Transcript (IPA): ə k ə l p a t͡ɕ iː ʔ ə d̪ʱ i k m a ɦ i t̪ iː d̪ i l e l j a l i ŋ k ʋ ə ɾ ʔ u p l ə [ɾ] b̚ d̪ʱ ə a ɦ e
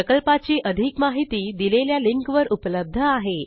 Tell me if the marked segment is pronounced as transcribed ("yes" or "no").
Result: no